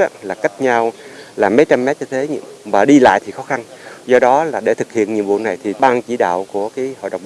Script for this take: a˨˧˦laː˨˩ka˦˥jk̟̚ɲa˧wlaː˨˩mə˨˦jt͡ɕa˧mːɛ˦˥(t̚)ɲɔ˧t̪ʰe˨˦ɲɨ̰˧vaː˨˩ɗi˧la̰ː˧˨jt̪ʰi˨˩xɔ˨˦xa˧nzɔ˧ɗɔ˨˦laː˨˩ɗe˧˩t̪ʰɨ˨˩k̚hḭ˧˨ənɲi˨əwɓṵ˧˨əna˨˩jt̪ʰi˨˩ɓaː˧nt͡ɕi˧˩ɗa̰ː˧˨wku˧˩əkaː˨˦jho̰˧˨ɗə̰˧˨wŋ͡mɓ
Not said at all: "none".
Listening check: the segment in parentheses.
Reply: t̚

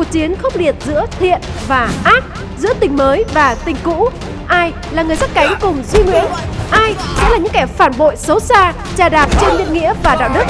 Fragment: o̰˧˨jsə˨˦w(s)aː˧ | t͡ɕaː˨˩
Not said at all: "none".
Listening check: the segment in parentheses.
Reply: s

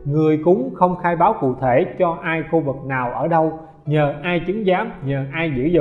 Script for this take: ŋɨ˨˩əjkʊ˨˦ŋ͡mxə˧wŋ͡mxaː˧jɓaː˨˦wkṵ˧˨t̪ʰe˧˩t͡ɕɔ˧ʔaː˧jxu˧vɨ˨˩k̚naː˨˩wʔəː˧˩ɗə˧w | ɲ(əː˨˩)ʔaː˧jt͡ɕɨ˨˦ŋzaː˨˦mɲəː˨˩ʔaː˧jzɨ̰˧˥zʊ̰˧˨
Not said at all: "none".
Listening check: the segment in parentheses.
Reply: əː˨˩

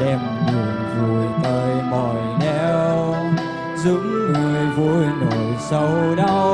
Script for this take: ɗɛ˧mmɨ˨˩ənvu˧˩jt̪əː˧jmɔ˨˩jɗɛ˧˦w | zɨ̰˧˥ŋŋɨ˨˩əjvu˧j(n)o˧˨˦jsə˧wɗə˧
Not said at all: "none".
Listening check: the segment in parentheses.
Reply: n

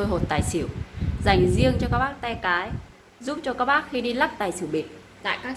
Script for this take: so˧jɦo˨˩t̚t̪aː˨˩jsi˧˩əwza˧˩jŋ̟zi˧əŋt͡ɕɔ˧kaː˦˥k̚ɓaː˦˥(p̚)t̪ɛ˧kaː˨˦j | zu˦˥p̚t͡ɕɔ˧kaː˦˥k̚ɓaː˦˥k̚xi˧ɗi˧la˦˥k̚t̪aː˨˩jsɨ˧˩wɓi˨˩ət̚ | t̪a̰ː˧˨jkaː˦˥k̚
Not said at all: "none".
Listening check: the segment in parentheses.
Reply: k̚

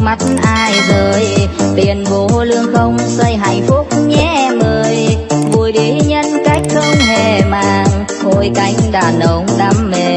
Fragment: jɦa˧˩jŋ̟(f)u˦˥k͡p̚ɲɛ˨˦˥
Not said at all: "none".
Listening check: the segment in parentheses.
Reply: f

